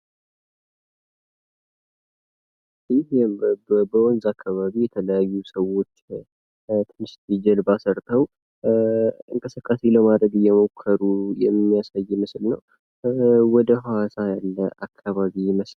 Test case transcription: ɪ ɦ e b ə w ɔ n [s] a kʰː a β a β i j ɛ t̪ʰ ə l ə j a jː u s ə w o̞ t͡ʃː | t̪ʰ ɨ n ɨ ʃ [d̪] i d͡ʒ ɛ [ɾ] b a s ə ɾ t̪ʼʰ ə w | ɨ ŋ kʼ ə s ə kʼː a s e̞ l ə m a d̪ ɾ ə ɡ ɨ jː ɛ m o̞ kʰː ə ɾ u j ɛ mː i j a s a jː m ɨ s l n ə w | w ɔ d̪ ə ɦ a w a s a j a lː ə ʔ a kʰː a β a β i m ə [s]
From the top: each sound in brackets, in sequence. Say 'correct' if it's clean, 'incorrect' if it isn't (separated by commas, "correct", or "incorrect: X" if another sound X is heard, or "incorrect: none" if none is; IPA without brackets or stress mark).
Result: incorrect: z, incorrect: t̪, incorrect: l, correct